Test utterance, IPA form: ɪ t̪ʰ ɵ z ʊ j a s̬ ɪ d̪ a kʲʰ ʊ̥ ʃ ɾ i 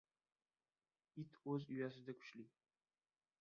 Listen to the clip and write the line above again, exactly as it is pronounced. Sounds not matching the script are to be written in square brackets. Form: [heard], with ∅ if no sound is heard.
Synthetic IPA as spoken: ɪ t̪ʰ ɵ z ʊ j a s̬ ɪ d̪ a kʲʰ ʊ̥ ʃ [l] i